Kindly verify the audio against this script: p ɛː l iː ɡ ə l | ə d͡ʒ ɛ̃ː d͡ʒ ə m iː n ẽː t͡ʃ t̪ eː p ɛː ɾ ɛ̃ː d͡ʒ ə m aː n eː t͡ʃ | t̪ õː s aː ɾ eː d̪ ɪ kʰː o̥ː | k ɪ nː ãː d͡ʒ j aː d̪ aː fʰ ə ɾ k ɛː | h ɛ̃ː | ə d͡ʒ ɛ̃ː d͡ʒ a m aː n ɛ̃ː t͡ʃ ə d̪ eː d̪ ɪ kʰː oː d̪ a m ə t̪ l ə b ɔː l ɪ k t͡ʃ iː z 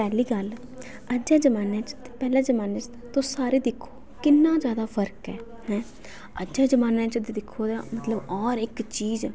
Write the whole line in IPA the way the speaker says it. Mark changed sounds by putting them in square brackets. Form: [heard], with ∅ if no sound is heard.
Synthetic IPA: p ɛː l iː ɡ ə l | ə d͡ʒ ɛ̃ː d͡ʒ ə m [aː] n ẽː t͡ʃ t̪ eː p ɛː [l] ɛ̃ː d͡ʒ ə m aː n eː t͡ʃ | t̪ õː s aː ɾ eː d̪ ɪ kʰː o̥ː | k ɪ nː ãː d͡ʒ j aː d̪ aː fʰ ə ɾ k ɛː | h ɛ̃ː | ə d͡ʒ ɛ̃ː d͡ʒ [ə] m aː n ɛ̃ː t͡ʃ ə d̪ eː d̪ ɪ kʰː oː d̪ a m ə t̪ l ə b ɔː [ɾ] ɪ k t͡ʃ iː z